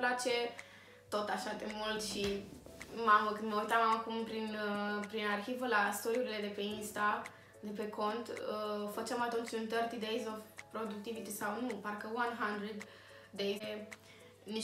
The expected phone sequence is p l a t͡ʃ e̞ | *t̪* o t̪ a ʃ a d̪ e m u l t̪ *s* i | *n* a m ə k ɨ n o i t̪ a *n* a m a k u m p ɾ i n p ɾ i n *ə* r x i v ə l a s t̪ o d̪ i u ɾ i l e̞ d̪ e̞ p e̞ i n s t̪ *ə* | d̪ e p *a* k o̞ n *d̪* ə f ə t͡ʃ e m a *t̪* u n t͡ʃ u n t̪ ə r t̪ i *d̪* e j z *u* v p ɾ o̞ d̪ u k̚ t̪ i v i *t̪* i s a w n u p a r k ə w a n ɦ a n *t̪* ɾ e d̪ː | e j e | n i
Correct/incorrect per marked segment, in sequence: correct, incorrect, incorrect, incorrect, incorrect, incorrect, incorrect, incorrect, correct, correct, incorrect, correct, incorrect

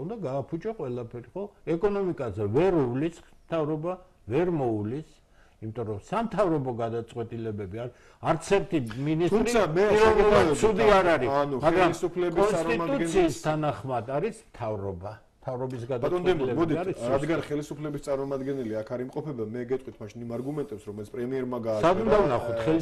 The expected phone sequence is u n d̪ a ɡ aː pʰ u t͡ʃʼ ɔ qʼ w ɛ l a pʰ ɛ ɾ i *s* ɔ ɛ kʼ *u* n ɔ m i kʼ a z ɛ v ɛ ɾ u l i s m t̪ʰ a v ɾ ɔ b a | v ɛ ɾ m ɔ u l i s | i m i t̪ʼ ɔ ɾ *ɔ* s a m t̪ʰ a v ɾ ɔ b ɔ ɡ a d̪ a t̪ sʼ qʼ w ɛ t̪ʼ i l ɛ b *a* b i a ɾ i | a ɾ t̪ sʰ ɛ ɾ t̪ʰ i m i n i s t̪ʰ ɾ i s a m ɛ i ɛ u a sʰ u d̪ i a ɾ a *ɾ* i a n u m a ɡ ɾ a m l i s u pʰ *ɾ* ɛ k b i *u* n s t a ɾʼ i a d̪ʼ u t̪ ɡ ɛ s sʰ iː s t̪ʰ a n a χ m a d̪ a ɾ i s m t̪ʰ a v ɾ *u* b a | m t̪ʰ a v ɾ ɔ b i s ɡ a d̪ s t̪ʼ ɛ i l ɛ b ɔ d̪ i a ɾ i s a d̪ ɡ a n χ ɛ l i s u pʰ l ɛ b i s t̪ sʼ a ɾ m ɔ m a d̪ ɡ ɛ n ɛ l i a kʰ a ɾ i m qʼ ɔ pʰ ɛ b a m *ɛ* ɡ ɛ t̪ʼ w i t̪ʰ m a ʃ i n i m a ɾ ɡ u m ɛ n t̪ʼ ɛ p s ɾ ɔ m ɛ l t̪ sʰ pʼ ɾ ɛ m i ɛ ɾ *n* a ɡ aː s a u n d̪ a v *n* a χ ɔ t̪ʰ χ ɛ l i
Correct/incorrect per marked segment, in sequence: incorrect, incorrect, correct, incorrect, correct, incorrect, incorrect, incorrect, correct, incorrect, correct

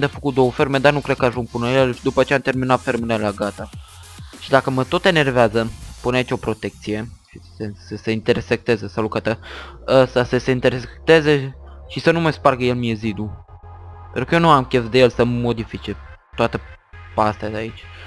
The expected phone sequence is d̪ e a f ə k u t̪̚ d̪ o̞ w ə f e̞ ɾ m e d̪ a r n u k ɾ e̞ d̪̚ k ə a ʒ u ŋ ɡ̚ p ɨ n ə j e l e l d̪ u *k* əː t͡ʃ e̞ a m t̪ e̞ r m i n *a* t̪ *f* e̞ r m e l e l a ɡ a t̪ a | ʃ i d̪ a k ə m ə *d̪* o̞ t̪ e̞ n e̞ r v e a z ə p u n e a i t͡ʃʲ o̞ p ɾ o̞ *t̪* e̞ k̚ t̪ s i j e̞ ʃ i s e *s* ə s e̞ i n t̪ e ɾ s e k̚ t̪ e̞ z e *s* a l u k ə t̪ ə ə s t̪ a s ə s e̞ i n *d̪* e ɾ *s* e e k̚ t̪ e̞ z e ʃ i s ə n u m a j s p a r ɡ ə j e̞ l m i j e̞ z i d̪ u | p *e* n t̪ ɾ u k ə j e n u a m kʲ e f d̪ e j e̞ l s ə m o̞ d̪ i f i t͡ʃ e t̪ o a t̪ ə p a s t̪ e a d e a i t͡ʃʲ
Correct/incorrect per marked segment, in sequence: incorrect, correct, correct, incorrect, correct, correct, correct, incorrect, correct, correct

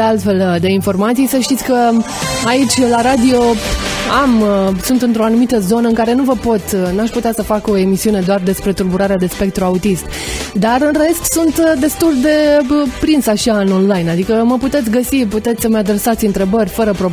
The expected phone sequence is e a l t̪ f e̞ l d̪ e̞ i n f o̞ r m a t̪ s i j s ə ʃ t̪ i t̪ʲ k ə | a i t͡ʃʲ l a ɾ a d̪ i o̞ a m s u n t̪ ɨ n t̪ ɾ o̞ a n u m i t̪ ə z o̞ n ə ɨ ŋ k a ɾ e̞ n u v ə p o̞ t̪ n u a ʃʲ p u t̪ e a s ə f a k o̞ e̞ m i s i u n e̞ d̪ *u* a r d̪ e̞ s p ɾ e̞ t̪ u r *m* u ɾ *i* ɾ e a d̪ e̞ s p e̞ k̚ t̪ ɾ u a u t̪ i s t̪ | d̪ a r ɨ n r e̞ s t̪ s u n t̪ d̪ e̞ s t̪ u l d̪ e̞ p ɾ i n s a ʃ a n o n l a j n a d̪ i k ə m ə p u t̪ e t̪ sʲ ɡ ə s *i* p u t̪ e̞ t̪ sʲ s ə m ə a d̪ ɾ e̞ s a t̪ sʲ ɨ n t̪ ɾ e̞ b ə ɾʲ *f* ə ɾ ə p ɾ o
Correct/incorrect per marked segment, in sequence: incorrect, incorrect, incorrect, correct, correct

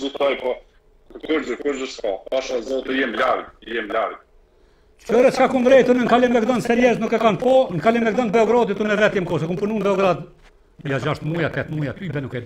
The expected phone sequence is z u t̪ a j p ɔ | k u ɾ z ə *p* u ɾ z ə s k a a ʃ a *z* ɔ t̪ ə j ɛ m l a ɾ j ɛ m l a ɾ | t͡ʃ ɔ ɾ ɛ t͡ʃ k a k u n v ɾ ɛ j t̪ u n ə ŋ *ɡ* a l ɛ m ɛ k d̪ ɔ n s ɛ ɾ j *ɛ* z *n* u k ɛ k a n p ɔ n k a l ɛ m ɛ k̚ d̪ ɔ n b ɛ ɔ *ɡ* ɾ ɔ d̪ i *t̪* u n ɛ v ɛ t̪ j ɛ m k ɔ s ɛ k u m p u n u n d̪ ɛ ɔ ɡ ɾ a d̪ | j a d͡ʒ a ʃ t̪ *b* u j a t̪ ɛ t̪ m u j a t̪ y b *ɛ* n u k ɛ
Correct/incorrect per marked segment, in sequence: incorrect, correct, incorrect, correct, correct, correct, correct, incorrect, correct

